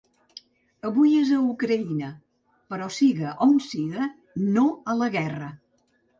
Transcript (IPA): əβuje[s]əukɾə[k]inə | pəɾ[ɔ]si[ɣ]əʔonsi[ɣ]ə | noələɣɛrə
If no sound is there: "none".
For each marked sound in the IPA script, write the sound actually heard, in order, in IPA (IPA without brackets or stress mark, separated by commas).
z, none, ɔ, ɣ, ɣ